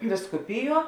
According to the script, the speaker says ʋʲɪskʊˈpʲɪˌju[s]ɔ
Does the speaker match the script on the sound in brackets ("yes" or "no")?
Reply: no